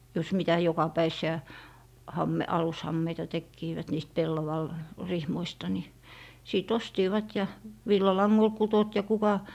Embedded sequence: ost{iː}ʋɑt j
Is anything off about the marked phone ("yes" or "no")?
no